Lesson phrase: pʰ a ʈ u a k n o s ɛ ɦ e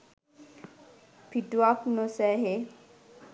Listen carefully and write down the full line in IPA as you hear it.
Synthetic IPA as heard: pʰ i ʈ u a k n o s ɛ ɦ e